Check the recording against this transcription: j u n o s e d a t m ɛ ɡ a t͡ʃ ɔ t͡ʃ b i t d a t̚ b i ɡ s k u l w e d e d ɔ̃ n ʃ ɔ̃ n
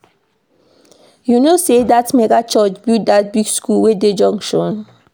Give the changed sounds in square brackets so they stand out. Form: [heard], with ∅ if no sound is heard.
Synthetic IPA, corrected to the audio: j u n o s e d a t m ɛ ɡ a t͡ʃ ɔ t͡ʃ b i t d a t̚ b i ɡ s k u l w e d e [d͡ʒ] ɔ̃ [ŋ] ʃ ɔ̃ n